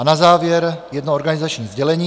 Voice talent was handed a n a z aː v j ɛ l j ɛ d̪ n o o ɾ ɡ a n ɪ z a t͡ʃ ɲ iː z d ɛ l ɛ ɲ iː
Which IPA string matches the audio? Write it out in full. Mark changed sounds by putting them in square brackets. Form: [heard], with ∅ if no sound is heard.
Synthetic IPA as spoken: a n a z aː v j ɛ [ɾ] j ɛ d̪ n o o ɾ ɡ a n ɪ z a t͡ʃ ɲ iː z [ɟ] ɛ l ɛ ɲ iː